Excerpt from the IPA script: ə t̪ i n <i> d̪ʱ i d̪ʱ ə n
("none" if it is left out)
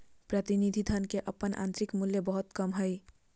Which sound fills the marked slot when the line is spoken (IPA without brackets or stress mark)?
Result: i